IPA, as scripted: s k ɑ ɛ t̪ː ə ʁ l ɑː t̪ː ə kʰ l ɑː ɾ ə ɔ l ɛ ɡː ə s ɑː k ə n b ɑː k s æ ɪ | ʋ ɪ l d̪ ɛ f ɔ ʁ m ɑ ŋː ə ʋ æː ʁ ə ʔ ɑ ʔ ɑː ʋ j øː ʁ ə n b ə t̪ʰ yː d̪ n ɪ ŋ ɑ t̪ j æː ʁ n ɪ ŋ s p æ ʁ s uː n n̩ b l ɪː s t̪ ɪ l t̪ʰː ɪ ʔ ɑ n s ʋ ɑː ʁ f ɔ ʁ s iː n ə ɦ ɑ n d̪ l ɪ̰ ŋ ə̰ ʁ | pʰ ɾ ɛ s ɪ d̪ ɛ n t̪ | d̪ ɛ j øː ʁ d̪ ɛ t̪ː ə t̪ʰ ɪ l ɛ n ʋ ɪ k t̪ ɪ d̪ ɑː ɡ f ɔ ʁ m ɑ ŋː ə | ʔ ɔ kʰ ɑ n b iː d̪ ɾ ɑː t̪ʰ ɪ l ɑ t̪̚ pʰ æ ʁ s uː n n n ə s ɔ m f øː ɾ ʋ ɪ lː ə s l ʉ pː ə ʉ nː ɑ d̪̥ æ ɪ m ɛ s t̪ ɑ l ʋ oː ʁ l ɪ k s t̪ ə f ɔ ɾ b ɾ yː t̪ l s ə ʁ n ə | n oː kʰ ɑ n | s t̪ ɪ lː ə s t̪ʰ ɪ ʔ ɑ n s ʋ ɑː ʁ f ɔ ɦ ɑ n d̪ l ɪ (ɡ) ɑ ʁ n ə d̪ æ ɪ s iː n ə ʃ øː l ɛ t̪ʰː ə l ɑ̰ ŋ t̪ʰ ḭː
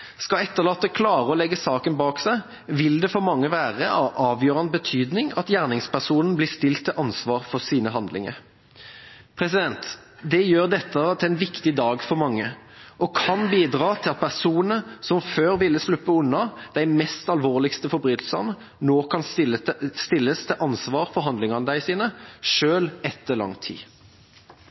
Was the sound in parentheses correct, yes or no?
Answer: no